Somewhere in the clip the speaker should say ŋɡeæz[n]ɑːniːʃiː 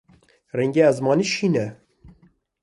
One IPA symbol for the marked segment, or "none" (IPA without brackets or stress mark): m